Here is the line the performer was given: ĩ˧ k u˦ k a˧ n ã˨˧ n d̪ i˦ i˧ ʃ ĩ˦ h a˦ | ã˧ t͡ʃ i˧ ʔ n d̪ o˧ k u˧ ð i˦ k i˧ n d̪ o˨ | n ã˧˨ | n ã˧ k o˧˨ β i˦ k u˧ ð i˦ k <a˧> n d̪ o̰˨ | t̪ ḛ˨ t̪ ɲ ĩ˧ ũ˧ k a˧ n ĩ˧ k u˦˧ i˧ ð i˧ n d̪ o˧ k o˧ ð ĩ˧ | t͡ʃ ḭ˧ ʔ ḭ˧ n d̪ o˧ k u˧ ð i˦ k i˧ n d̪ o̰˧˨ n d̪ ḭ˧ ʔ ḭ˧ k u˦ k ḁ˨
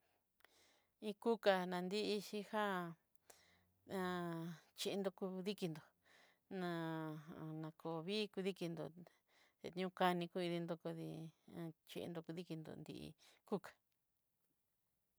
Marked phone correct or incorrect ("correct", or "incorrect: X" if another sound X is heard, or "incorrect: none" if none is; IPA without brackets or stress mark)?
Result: incorrect: i˧